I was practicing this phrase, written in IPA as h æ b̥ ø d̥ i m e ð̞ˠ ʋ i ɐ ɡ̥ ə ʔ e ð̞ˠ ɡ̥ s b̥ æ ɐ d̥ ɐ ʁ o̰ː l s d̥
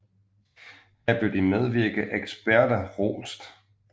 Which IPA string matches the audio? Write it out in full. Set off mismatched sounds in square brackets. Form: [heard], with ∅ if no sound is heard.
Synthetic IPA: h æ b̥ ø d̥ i m e ð̞ˠ ʋ i ɐ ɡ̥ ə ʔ e [∅] ɡ̥ s b̥ æ ɐ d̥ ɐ ʁ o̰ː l s d̥